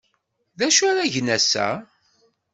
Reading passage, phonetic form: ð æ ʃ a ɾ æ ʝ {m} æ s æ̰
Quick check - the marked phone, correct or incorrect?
incorrect